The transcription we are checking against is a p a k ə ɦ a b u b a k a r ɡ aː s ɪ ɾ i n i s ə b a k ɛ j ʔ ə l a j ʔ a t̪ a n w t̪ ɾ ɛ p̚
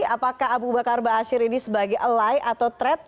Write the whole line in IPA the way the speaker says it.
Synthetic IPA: a p a k a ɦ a b u b a k a r b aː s ɪ ɾ i n i s ə b a ɡ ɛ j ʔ ə l a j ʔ a t̪ a w t̪ ɾ ɛ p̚